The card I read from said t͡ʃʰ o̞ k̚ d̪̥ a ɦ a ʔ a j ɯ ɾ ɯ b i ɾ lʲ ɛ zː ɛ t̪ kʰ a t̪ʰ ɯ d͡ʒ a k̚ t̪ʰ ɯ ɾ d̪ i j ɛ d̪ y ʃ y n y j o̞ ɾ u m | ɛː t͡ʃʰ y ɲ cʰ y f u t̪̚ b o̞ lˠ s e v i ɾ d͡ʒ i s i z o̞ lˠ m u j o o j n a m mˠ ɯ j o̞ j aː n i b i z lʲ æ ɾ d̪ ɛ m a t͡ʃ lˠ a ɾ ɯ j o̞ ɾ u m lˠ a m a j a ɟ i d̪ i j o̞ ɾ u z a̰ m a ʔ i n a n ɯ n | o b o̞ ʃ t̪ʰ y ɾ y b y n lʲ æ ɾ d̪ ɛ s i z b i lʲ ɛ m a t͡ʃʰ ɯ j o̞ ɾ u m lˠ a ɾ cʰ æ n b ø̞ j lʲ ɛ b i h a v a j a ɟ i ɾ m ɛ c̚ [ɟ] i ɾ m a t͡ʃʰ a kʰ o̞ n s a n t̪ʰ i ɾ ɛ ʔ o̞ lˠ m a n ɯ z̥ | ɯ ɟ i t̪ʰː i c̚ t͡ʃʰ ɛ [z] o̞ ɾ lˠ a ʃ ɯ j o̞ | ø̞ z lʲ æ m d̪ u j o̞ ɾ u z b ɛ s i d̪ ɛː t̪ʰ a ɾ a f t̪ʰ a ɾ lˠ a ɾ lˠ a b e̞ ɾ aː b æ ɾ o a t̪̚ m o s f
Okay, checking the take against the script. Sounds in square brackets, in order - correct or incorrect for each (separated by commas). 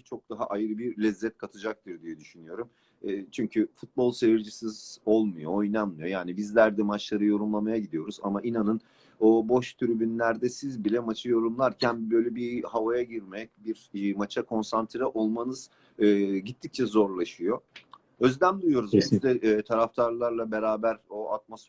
incorrect, correct